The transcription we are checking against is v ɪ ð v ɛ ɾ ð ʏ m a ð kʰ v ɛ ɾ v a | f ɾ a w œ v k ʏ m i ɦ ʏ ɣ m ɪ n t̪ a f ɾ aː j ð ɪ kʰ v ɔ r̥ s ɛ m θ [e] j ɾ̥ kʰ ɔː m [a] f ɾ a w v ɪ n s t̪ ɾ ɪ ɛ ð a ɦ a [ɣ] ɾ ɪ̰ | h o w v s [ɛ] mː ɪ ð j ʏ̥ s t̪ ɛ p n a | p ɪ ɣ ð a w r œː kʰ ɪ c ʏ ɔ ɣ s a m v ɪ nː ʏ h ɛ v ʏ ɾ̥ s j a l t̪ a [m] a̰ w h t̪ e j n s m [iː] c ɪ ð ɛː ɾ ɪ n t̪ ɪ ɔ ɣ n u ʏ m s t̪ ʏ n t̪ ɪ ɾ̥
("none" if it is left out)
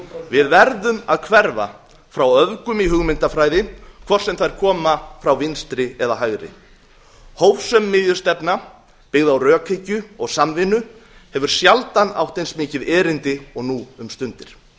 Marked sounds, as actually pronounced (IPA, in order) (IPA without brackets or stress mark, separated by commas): a, a, ɣ, œ, n, ɪː